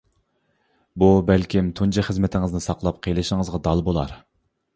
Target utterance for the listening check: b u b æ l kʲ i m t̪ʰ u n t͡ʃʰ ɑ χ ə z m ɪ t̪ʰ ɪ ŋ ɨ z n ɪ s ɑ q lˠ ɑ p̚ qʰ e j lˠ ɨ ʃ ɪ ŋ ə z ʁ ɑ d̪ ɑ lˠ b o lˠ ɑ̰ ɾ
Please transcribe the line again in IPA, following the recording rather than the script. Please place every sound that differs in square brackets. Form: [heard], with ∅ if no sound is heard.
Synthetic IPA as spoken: b u b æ l kʲ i m t̪ʰ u n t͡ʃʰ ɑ χ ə z m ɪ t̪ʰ ɪ ŋ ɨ z n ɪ s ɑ q lˠ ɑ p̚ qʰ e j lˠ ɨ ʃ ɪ ŋ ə z ʁ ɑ d̪ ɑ lˠ b o lˠ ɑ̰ ɾ